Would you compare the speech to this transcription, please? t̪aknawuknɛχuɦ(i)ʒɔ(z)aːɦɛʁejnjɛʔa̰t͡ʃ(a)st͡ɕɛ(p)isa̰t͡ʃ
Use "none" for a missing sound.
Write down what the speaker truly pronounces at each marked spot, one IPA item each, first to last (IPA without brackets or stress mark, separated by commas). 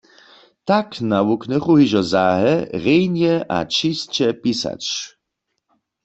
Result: i, z, i, p